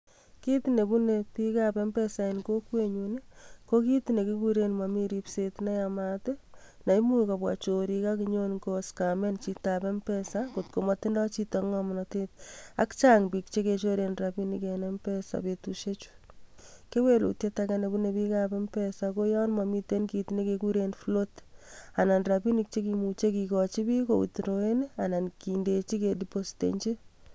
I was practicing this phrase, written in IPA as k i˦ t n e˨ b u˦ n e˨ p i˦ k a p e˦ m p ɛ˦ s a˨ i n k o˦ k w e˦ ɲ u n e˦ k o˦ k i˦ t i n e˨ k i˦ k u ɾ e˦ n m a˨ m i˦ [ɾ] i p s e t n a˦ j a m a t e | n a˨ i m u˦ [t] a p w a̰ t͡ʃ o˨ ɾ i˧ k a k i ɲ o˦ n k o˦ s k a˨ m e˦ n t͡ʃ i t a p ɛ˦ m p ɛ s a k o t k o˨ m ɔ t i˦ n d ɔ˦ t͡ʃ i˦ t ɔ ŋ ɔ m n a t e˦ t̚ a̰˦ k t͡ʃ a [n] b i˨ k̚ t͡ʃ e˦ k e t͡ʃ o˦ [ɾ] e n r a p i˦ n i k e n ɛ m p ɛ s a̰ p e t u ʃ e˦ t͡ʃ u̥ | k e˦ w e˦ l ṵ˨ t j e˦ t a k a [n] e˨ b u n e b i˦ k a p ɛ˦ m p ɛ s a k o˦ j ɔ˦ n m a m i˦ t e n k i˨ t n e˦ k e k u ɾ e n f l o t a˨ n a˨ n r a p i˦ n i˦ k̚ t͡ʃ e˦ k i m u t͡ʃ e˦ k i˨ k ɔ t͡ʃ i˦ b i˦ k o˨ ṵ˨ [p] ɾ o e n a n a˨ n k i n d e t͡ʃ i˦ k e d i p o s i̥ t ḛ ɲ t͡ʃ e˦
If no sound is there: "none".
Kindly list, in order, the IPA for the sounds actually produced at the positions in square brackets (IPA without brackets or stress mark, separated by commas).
ɾ, k, ŋ, ɾ, n, t